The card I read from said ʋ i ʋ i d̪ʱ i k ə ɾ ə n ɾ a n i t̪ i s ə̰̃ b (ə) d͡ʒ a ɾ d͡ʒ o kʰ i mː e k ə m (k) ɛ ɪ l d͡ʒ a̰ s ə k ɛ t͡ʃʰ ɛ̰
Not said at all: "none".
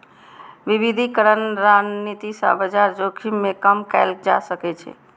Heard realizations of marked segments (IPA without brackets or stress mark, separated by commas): ə, k